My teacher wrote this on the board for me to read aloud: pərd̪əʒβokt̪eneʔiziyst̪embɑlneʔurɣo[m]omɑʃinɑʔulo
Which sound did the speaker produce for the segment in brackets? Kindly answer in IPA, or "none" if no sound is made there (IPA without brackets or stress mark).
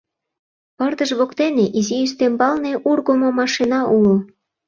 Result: m